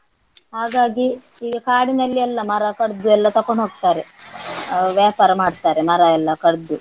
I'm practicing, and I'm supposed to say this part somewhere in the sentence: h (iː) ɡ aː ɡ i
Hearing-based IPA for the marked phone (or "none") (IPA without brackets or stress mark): aː